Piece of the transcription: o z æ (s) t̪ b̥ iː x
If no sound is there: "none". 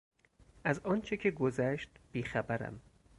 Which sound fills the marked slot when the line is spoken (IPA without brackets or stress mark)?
ʃ